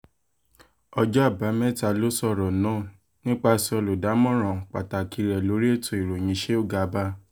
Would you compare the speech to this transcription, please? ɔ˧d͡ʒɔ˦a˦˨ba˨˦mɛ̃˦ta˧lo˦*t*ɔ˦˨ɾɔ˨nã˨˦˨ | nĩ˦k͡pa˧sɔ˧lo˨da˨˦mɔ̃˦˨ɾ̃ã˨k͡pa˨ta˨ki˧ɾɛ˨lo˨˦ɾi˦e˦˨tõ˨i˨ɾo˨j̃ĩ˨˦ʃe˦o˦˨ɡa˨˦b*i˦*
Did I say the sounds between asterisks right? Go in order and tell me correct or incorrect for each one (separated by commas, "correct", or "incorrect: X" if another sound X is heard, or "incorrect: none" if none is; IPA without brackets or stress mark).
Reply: incorrect: s, incorrect: a˦